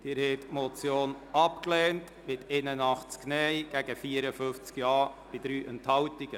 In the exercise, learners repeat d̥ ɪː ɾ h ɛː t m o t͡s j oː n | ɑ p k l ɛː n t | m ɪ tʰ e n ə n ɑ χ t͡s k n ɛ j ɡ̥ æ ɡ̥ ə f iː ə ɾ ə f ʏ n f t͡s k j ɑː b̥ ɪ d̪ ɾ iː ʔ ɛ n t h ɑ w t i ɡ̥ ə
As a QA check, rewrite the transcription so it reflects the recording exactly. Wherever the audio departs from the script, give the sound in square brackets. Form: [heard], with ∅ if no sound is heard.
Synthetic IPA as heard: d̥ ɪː ɾ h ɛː t m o t͡s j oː n | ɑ p k l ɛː n t | m ɪ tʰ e n ə n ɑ χ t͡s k n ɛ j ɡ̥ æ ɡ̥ ə f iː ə ɾ ə f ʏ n f t͡s k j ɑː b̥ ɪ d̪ ɾ [yː] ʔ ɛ n t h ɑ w t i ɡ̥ ə

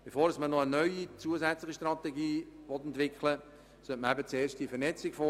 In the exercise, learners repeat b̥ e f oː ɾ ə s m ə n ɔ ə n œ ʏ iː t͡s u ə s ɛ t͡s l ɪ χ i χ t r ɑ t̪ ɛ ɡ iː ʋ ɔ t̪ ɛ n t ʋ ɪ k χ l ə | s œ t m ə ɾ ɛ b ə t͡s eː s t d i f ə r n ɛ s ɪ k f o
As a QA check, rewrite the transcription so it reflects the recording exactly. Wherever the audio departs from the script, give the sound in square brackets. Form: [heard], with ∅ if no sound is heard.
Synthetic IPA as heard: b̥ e f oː ɾ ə s m ə n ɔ ə n œ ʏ [i] t͡s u ə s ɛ t͡s l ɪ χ i [ʃ] t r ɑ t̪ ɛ ɡ iː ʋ ɔ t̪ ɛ n t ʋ ɪ k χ l ə | s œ t m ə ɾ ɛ b ə t͡s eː [ʃ] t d i f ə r n ɛ [t͡s] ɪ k f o

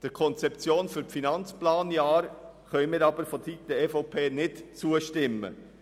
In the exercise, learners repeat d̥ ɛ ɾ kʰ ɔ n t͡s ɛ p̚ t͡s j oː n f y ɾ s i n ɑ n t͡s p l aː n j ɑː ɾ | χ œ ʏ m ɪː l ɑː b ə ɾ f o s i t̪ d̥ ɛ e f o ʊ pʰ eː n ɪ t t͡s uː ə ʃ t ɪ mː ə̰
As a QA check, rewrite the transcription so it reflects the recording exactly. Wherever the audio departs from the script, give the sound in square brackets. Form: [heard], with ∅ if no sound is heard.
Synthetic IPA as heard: d̥ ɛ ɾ kʰ ɔ n t͡s ɛ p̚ t͡s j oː n f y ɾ [f] i n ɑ n t͡s p l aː n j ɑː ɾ | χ œ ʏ m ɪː [ɾ] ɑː b ə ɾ f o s i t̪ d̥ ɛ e f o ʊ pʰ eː n ɪ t t͡s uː ə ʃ t ɪ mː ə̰

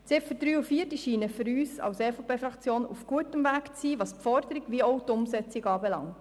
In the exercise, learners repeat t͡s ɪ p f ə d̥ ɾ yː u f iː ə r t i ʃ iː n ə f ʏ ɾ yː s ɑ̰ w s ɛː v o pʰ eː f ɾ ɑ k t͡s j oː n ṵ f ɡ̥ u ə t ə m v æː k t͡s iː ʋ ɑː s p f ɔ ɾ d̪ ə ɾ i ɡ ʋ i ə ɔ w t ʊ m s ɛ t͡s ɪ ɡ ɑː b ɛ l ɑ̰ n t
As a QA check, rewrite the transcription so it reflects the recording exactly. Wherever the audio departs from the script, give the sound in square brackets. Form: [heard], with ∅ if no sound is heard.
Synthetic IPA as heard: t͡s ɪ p f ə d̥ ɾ yː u f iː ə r t i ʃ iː n ə f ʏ ɾ yː s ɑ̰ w s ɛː [f] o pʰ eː f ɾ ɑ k t͡s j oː n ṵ f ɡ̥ u ə t ə m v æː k t͡s iː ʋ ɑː s p f ɔ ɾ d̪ ə ɾ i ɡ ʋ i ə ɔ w t ʊ m s ɛ t͡s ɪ ɡ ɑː b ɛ l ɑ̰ [ŋ] t

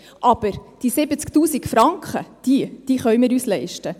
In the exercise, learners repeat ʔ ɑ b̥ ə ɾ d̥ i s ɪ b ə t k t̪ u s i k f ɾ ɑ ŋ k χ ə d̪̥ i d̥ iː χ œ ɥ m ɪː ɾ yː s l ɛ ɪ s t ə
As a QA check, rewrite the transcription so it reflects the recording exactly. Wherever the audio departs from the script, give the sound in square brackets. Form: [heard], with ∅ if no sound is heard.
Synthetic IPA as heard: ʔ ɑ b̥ ə ɾ d̥ i s ɪ b ə [t͡s] k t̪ [uː] s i k f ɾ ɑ ŋ k χ ə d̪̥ i d̥ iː χ œ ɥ m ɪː ɾ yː s l ɛ ɪ [ʃ] t ə

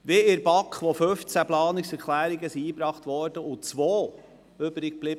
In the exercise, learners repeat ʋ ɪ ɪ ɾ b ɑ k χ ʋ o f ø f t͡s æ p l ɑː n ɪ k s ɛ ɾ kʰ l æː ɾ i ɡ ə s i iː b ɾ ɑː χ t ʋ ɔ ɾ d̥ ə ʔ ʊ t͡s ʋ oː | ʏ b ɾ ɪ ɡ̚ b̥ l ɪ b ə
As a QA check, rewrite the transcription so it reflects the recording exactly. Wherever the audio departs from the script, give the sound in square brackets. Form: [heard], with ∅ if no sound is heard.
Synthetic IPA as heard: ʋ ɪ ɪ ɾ b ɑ k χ ʋ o f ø f t͡s æ p l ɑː n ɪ k s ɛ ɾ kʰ l æː ɾ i ɡ ə s i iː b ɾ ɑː χ t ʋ ɔ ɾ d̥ ə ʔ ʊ t͡s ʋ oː | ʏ b ɾ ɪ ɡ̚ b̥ l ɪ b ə

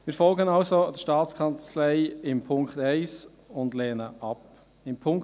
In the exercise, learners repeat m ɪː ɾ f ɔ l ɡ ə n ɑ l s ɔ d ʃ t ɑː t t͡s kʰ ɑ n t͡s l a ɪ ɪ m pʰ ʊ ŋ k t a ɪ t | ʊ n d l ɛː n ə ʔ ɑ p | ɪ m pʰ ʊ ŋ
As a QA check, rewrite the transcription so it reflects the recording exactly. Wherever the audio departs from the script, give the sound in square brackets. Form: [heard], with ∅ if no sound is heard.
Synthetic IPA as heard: m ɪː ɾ f ɔ l ɡ ə n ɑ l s [o] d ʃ t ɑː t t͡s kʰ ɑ n t͡s l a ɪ ɪ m pʰ ʊ ŋ k t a ɪ [s] | ʊ n d l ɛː n ə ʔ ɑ p | ɪ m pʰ ʊ ŋ

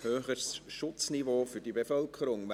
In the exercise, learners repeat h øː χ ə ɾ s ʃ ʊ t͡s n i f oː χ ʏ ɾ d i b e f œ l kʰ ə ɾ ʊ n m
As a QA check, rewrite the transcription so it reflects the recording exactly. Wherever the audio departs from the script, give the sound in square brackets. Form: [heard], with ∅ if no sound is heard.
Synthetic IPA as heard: h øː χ ə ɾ s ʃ ʊ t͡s n i [v] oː [f] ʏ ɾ d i b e f œ l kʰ ə ɾ ʊ [ŋ] m

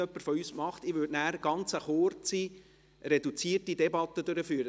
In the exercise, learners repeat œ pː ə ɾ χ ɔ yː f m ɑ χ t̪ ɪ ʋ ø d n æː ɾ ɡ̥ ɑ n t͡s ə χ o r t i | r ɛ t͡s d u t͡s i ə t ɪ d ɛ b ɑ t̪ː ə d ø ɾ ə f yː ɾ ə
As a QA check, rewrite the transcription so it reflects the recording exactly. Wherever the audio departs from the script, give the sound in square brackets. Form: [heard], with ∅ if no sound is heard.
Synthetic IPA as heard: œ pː ə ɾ [f] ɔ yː [s] m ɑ χ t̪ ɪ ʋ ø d n æː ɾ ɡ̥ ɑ n t͡s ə χ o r [t͡s] i | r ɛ [∅] d u t͡s i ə t [i] d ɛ b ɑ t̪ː ə d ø ɾ ə f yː ɾ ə

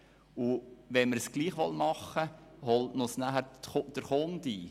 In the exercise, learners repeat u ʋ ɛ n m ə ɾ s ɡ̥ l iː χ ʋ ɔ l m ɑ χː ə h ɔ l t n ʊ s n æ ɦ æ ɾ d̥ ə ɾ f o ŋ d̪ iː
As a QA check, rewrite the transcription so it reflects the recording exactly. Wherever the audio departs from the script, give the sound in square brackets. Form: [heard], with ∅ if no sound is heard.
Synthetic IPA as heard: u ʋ ɛ n m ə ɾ s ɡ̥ l iː χ ʋ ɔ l m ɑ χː ə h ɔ l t n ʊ s n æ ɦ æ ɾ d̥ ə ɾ [χ] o [n] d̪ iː

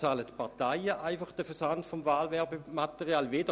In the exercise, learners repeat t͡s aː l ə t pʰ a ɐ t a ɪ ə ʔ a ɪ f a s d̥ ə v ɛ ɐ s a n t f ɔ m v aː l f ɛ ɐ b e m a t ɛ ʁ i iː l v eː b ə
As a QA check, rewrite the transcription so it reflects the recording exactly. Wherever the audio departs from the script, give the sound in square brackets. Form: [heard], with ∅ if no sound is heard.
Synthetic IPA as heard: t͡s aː l ə t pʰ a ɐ t a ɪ ə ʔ a ɪ f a [χ] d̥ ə [f] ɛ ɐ s a n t f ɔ m v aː l [v] ɛ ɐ b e m a t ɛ ʁ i [aː] l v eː [d] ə

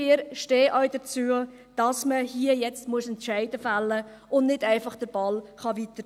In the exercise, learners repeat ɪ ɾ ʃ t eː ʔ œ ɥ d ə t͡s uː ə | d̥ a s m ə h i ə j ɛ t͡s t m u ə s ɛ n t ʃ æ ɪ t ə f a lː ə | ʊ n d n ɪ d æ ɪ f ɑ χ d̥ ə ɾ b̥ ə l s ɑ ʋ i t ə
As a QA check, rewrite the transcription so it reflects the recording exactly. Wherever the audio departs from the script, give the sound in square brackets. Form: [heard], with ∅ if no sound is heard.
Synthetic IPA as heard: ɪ ɾ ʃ t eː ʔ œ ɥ d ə t͡s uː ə | d̥ [ɑ] s m ə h i ə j ɛ t͡s t m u ə s ɛ n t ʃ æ ɪ [d] ə f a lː ə | ʊ n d n ɪ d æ ɪ f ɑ χ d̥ ə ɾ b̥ [ɑ] l [χ] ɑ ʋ i t ə

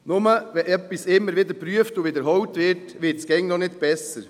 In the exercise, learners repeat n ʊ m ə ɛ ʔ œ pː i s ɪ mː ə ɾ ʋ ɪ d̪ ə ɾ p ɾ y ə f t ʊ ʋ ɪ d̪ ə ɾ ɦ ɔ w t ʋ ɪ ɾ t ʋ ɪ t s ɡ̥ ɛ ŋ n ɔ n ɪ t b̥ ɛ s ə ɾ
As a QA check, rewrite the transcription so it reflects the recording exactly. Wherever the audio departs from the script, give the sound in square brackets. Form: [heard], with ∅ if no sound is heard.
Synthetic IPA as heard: n ʊ m ə ɛ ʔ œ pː i s ɪ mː ə ɾ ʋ ɪ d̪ ə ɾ p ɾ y ə f t ʊ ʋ ɪ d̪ ə ɾ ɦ ɔ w t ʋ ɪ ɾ t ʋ ɪ t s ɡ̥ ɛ ŋ n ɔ n ɪ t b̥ ɛ s ə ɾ

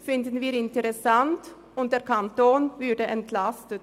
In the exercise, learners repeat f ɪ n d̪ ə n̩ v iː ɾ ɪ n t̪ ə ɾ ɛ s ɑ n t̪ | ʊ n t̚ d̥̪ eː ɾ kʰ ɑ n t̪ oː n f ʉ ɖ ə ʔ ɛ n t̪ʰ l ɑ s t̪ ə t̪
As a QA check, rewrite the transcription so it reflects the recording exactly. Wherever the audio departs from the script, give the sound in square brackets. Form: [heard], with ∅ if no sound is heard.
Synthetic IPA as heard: f ɪ n d̪ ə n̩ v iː ɾ ɪ n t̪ ə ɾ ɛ s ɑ n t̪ | ʊ n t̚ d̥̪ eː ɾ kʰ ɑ n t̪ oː n [v] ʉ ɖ ə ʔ ɛ n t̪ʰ l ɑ s t̪ ə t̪

